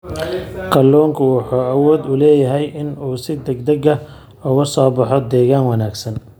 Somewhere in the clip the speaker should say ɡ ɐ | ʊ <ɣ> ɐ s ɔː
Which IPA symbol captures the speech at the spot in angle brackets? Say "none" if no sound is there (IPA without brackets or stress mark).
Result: ɣ